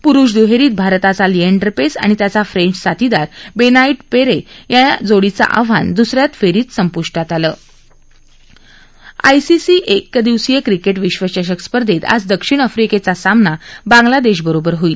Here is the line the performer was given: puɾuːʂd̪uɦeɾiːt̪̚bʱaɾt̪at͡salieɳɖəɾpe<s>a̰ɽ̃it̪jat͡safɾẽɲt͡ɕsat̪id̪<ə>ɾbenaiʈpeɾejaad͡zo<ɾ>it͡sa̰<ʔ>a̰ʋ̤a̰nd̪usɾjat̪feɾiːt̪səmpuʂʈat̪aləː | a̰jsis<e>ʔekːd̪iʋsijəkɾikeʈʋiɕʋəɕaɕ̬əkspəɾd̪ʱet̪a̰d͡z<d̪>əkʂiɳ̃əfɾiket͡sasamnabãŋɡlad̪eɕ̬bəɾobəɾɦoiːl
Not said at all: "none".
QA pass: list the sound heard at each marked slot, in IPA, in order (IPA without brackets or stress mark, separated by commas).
s, a, ɽ, ʔ, i, d̪